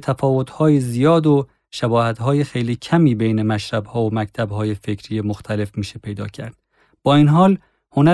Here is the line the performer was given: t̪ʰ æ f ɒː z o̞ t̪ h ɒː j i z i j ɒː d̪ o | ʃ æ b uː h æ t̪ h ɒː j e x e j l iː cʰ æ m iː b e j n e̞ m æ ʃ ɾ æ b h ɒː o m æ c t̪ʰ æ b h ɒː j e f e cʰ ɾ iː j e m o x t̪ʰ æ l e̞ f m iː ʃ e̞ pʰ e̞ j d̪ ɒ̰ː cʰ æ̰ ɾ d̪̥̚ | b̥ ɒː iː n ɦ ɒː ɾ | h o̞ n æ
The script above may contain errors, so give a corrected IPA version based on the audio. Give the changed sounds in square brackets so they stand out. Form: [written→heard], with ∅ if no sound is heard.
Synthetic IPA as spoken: t̪ʰ æ f ɒː [z→v] o̞ t̪ h ɒː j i z i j ɒː d̪ o | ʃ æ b [uː→ɒː] h æ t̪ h ɒː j e x e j l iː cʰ æ m iː b e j n e̞ m æ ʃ ɾ æ b h ɒː o m æ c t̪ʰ æ b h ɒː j e f e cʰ ɾ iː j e m o x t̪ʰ æ l e̞ f m iː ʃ e̞ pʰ e̞ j d̪ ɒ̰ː cʰ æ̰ ɾ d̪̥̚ | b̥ ɒː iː n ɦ ɒː [ɾ→l] | h o̞ n æ